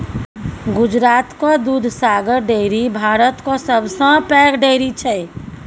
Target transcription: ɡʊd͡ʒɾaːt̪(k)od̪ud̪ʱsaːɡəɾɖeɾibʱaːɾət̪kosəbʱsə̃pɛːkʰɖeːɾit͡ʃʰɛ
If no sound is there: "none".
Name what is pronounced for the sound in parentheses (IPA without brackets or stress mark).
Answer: k